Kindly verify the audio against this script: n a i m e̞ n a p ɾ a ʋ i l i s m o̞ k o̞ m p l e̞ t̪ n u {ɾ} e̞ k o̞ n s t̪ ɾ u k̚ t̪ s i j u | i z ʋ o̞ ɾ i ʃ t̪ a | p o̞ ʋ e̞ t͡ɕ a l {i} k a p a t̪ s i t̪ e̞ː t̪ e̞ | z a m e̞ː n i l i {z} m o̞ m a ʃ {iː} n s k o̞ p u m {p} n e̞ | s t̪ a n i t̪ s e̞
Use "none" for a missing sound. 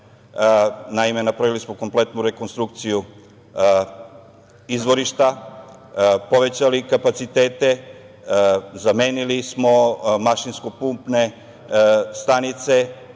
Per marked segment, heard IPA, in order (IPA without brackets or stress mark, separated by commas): ɾ, i, s, i, p